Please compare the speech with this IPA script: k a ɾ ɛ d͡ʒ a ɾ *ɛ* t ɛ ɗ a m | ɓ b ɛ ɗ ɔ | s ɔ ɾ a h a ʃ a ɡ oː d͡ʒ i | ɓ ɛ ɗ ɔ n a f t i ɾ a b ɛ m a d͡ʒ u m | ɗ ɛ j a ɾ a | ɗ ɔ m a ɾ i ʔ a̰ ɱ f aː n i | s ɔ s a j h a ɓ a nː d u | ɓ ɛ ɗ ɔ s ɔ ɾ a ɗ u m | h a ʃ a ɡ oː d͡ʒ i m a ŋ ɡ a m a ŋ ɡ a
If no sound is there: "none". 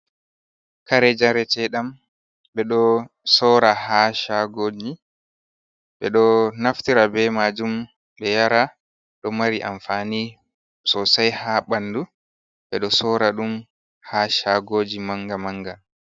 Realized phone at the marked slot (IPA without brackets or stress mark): ɛ